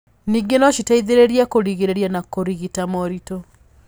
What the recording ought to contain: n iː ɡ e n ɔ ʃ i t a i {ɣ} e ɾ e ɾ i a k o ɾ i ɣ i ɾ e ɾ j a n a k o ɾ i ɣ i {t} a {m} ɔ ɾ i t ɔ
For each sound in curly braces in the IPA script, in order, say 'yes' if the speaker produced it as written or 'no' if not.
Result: no, yes, yes

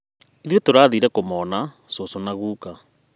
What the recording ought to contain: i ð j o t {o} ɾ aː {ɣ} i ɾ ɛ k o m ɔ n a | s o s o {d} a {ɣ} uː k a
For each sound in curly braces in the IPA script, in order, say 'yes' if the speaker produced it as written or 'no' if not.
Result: yes, no, no, yes

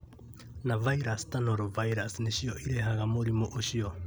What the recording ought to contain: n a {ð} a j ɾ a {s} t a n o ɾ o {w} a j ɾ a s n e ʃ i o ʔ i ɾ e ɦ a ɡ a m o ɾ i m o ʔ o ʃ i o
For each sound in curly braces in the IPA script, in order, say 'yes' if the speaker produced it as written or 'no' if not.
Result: no, yes, no

